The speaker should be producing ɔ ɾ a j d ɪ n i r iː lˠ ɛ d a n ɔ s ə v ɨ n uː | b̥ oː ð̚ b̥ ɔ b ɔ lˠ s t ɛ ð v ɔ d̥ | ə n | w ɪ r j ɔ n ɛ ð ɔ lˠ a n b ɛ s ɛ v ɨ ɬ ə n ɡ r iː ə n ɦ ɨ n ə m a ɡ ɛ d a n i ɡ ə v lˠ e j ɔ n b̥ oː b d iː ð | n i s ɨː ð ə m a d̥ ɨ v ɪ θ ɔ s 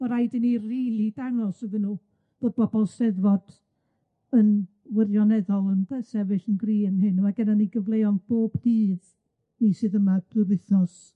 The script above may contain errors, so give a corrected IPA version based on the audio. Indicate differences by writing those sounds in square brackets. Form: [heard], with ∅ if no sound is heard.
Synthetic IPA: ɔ ɾ a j d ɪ n i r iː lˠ [i] d a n ɔ s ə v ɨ n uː | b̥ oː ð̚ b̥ ɔ b ɔ lˠ s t ɛ ð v ɔ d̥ | ə n | w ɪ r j ɔ n ɛ ð ɔ lˠ [ə] n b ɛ s ɛ v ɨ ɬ ə n ɡ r iː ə n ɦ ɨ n ə m a ɡ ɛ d a n i ɡ ə v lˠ e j ɔ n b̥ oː b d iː ð | n i s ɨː ð ə m a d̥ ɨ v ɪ θ ɔ s